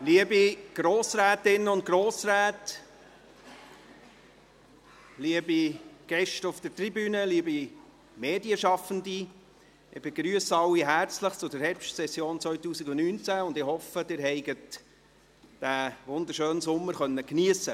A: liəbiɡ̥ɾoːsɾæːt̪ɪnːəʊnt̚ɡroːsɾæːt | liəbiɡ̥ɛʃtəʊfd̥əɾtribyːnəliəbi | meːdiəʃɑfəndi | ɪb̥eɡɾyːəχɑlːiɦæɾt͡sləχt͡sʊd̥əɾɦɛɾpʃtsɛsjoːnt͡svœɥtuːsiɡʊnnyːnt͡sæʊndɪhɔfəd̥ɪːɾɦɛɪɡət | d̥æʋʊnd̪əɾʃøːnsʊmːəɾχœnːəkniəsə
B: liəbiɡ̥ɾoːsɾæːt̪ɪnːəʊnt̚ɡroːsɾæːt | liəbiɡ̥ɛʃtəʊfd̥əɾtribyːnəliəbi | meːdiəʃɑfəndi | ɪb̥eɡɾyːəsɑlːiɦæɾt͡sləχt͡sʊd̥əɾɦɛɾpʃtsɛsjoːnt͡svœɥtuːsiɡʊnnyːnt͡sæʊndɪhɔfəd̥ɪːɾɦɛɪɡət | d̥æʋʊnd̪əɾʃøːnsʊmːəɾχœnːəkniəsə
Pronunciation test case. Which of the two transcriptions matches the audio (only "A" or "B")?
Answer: B